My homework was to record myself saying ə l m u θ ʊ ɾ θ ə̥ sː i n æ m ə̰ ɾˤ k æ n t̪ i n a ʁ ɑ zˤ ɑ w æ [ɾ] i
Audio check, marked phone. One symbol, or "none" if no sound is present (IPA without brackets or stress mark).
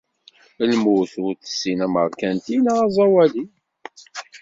l